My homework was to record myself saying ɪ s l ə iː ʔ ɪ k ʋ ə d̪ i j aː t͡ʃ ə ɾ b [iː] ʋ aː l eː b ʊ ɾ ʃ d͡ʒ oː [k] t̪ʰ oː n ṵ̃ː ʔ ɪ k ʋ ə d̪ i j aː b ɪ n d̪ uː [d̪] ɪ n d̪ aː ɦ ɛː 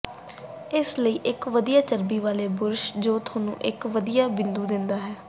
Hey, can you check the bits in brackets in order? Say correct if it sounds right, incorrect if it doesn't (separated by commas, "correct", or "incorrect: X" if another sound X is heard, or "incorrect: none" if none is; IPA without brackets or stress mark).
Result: correct, incorrect: none, correct